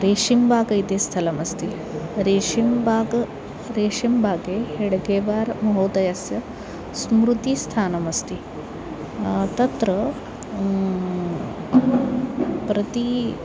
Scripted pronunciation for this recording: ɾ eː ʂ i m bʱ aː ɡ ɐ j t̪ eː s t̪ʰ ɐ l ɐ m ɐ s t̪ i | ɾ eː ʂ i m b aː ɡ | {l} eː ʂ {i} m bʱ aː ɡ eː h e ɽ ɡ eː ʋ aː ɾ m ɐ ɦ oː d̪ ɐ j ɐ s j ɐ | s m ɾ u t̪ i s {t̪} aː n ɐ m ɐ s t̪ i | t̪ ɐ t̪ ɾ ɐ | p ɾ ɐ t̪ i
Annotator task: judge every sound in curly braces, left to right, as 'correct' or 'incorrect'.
incorrect: ɾ, correct, incorrect: t̪ʰ

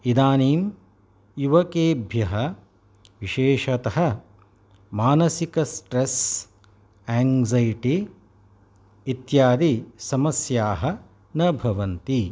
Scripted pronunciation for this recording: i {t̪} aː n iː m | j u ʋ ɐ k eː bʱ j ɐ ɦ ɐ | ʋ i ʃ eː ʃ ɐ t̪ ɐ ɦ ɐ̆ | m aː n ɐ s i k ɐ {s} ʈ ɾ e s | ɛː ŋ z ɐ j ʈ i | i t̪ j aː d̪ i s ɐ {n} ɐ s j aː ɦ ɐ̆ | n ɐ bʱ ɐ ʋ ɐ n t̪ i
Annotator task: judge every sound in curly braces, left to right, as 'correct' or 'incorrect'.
incorrect: d̪, correct, incorrect: m

